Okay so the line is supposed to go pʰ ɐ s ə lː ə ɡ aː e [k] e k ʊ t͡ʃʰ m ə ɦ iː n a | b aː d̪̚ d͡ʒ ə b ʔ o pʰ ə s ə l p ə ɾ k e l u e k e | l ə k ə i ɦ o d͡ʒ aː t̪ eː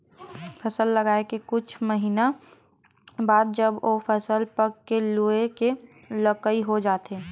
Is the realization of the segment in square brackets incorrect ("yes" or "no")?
no